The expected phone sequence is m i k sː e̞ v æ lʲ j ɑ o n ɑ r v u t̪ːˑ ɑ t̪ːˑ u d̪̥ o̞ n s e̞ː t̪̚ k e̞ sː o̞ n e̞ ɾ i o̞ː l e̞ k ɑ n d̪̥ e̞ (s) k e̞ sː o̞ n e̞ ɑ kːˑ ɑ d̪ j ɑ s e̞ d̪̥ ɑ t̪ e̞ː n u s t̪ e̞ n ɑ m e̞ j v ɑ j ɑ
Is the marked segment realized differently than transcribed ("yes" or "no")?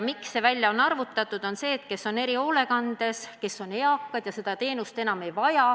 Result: no